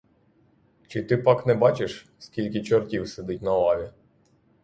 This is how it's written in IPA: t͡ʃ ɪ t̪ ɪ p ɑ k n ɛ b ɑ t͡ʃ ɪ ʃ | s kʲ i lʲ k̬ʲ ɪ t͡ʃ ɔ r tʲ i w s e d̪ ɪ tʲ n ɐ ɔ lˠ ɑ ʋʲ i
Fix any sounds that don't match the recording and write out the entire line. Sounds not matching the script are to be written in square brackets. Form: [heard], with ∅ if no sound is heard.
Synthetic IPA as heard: t͡ʃ ɪ t̪ ɪ p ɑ k n ɛ b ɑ t͡ʃ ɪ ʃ | s kʲ i lʲ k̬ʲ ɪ t͡ʃ ɔ r tʲ i w s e d̪ ɪ tʲ n ɐ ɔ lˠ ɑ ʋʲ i